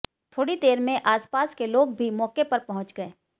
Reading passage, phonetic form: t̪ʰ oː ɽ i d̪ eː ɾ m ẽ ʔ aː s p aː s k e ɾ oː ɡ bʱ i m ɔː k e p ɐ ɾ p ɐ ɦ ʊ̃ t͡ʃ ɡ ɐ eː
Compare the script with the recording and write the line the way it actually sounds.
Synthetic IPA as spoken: t̪ʰ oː ɽ i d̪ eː ɾ m ẽ ʔ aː s p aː s k e l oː ɡ bʱ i m ɔː k e p ɐ ɾ p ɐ ɦ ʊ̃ t͡ʃ ɡ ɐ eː